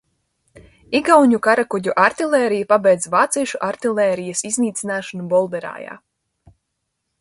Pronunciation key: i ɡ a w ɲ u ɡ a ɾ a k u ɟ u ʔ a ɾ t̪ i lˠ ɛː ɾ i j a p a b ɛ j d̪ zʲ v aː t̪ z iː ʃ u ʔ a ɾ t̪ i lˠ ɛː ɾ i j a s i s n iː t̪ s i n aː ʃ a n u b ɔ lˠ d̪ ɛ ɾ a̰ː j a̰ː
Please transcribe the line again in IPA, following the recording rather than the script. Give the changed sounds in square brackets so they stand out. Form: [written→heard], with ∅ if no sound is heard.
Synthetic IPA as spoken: i ɡ a w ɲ u [ɡ→k] a ɾ a k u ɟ u ʔ a ɾ t̪ i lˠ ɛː ɾ i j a p a b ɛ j d̪ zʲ v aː t̪ [z→s] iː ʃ u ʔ a ɾ t̪ i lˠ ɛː ɾ i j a s i [s→z] n iː t̪ s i n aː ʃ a n u b ɔ lˠ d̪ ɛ ɾ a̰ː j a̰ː